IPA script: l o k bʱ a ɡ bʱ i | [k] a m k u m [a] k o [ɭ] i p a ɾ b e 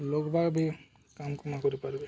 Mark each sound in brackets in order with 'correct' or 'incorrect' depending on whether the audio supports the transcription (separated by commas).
correct, correct, incorrect